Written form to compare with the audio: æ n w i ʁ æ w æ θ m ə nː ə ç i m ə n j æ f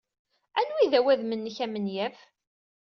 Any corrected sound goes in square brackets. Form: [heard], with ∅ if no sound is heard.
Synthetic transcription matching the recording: æ n w i [ð] æ w æ [ð] m ə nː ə ç [æ] m ə n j æ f